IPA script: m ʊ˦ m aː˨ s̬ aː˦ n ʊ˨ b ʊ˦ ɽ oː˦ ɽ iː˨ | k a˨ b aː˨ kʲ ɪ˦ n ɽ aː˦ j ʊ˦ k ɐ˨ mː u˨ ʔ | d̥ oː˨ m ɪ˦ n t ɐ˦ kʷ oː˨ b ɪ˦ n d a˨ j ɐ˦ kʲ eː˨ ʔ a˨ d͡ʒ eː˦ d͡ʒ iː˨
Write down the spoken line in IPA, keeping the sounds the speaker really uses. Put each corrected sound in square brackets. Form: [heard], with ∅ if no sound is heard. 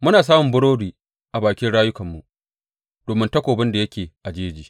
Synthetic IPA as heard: m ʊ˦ [n] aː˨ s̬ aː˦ [m] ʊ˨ b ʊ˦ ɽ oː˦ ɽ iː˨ | [ʔ] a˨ b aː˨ kʲ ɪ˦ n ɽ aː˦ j ʊ˦ k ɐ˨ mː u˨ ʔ | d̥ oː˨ m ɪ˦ n t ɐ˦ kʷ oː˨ b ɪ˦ n d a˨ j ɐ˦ kʲ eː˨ ʔ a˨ d͡ʒ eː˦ d͡ʒ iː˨